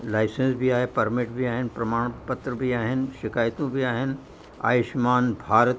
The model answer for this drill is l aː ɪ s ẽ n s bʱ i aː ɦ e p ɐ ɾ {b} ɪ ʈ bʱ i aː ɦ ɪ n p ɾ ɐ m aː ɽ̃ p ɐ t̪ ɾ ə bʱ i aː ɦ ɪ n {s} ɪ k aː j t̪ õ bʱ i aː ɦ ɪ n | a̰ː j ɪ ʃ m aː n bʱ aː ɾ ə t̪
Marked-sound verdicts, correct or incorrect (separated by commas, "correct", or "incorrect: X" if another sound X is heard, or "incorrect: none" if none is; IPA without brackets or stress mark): incorrect: m, incorrect: ʃ